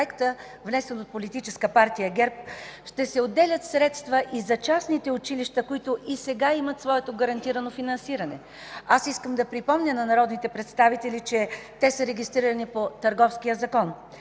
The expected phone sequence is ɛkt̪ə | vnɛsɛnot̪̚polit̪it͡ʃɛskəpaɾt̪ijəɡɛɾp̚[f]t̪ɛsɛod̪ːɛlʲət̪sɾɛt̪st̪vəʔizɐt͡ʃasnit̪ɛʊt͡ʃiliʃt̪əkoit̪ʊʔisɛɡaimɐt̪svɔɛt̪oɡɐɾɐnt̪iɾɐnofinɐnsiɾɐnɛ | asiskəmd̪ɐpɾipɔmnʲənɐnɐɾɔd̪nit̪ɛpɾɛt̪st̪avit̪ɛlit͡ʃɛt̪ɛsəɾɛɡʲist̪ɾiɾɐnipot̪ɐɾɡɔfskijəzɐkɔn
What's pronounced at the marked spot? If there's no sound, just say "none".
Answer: ʃ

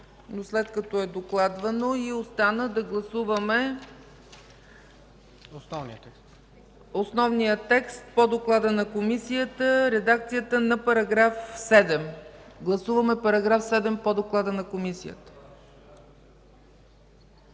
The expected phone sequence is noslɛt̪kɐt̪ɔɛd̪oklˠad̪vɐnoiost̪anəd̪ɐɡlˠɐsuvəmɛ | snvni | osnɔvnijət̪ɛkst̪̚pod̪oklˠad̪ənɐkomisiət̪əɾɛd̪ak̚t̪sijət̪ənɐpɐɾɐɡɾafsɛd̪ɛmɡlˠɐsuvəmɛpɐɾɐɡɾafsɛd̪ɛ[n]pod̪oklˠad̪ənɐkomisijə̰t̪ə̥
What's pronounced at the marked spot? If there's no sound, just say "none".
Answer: m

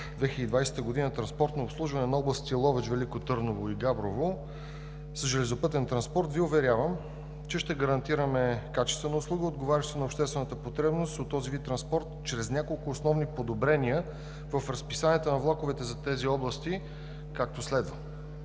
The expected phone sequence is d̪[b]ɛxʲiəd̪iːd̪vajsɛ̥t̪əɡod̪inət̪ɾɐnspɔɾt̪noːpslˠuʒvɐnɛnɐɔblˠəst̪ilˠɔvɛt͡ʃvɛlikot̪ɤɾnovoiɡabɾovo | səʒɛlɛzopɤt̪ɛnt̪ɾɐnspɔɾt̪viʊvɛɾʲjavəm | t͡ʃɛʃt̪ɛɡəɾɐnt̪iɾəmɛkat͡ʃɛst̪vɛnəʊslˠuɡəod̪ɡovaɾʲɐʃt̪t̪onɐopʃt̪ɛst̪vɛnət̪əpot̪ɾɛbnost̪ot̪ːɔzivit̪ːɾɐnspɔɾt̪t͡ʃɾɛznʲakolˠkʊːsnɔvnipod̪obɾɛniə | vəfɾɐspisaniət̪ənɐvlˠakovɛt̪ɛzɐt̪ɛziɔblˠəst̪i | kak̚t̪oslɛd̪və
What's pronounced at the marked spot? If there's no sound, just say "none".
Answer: v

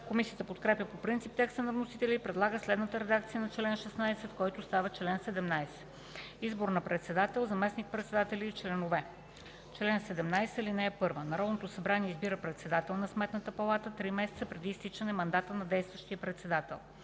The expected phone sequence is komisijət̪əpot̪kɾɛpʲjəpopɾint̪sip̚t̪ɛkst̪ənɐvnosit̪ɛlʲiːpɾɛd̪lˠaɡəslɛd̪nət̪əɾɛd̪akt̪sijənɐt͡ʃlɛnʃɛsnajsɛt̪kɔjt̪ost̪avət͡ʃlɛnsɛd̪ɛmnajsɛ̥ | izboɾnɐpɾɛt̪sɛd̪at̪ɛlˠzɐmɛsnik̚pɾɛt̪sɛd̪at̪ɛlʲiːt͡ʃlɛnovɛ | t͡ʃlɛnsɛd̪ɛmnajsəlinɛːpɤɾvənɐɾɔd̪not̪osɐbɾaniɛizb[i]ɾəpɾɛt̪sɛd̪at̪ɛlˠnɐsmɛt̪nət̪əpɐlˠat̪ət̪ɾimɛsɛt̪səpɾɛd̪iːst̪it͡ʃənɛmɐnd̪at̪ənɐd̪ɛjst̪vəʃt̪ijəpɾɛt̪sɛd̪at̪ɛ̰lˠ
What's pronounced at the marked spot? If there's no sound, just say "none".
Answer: i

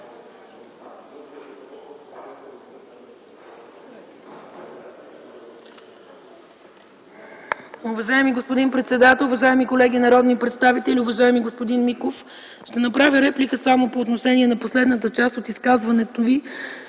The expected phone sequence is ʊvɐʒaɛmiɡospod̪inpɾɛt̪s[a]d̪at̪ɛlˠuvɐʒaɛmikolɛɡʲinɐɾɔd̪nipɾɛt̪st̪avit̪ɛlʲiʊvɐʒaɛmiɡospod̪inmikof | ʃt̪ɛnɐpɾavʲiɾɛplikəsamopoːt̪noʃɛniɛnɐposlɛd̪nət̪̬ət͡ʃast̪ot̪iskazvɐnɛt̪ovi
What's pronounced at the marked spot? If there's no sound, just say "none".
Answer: ɛ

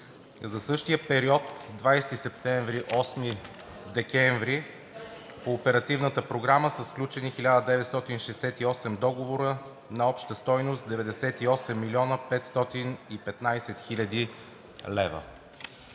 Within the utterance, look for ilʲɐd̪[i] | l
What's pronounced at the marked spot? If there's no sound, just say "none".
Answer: i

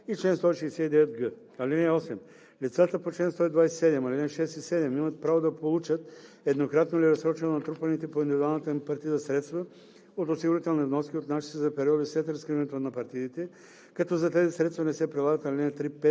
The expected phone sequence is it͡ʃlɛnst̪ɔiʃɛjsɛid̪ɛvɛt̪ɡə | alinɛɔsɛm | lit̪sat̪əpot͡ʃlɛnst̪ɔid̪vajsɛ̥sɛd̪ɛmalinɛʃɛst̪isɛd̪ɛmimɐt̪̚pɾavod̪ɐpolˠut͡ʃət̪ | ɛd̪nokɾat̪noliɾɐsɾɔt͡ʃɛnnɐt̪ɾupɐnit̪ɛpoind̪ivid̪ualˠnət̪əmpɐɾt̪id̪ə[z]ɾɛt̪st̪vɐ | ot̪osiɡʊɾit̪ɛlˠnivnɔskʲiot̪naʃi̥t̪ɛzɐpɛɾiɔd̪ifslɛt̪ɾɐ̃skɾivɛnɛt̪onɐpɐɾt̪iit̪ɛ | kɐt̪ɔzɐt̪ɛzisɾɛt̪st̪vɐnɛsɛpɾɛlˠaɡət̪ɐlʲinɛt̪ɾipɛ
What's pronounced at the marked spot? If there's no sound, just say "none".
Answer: s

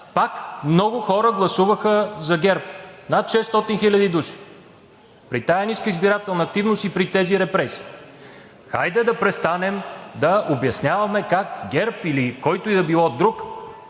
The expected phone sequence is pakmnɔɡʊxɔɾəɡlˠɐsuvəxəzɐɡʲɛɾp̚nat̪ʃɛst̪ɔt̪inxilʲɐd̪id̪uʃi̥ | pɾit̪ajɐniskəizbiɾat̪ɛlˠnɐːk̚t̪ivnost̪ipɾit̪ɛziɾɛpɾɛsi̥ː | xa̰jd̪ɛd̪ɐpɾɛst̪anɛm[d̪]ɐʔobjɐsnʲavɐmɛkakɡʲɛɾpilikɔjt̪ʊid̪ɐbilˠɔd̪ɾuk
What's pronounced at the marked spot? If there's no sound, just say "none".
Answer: d̪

